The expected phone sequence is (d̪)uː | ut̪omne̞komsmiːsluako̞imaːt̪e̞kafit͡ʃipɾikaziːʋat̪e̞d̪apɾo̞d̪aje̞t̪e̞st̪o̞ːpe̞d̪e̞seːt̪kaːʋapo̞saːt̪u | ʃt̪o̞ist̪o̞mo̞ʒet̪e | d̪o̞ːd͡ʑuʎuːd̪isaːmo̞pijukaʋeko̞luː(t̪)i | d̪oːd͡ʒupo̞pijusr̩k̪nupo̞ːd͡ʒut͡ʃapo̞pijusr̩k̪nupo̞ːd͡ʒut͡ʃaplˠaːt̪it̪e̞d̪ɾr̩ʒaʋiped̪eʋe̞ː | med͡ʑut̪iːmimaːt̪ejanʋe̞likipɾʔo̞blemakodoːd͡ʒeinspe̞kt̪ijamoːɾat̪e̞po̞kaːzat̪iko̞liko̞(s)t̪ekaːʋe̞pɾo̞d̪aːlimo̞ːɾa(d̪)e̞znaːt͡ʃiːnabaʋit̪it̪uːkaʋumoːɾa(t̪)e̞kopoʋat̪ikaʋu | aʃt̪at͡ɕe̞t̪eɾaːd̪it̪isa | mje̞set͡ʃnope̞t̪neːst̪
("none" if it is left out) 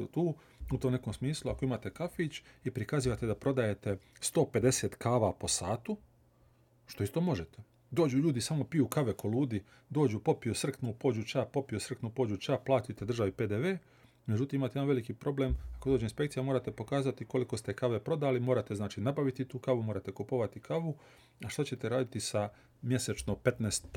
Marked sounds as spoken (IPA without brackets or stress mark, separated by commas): t̪, d̪, s, t̪, t̪